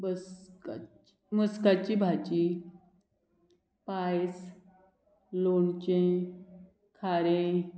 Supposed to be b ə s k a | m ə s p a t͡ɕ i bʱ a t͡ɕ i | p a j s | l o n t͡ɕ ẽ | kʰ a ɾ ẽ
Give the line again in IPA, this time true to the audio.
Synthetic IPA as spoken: b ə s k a | m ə s k a t͡ɕ i bʱ a t͡ɕ i | p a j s | l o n t͡ɕ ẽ | kʰ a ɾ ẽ